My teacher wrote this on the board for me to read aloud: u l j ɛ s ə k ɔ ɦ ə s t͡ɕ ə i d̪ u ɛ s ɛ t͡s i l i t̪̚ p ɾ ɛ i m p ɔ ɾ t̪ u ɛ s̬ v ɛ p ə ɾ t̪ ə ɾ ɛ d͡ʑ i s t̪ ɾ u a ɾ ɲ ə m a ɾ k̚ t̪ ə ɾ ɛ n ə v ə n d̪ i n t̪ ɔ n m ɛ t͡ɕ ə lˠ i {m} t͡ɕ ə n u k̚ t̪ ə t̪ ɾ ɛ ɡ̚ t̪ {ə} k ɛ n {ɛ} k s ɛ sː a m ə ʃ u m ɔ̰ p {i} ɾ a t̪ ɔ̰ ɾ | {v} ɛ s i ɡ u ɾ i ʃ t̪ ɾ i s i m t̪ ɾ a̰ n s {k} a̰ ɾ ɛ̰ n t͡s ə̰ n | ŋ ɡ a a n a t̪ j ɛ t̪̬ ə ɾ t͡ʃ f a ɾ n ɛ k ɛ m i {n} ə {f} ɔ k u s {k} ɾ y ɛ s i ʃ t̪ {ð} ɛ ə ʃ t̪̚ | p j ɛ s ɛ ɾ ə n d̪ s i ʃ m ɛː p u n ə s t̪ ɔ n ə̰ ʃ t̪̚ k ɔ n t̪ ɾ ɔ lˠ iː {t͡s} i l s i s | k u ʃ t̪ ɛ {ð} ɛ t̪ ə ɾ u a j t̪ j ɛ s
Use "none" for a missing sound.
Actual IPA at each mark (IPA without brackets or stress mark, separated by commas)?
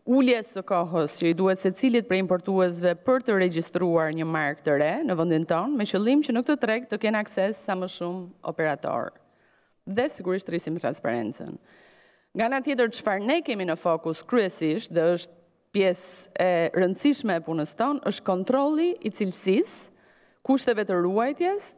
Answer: m, ə, a, ɛ, ð, p, n, f, k, ð, t͡s, v